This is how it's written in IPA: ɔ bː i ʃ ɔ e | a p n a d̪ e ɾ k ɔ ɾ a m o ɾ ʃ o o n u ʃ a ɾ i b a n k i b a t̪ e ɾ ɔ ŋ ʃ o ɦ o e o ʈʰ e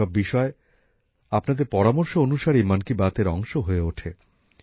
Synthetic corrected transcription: ɔ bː i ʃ ɔ e | a p n a d̪ e ɾ p ɔ ɾ a m o ɾ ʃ o o n u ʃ a ɾ i m a n k i b a t̪ e ɾ ɔ ŋ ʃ o ɦ o e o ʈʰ e